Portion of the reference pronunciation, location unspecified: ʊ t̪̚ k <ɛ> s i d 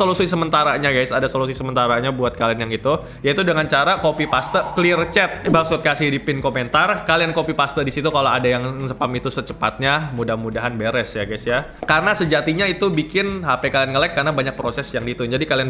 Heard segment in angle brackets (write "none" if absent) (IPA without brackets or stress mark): a